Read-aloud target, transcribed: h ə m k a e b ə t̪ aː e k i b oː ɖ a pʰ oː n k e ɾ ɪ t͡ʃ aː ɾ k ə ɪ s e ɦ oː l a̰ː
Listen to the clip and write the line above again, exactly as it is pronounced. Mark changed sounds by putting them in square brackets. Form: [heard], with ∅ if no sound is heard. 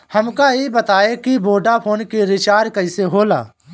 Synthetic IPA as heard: h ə m k a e b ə t̪ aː e k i b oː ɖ a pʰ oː n k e ɾ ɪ t͡ʃ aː ɾ k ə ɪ s e ɦ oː l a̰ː